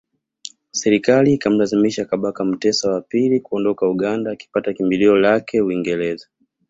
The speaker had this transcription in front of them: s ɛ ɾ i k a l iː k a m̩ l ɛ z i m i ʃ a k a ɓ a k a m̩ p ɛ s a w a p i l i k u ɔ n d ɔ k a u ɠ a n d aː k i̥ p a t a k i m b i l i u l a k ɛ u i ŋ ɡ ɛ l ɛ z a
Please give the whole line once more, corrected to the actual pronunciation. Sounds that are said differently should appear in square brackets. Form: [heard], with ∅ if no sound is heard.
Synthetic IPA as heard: s ɛ ɾ i k a l iː k a m̩ l [a] z i m i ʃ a k a ɓ a k a m̩ [t] ɛ s a w a p i l i k u ɔ n d ɔ k a u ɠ a n d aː k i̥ p a t a k i m b i l i [ɔ] l a k ɛ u i ŋ ɡ ɛ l ɛ z a